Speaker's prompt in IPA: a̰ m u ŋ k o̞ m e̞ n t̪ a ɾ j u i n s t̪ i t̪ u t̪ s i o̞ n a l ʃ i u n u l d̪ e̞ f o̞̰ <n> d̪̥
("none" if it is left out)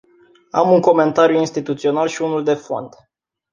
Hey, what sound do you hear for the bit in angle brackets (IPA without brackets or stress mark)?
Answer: n